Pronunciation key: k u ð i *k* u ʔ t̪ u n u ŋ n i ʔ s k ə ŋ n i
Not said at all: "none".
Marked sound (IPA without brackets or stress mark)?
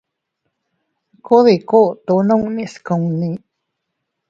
k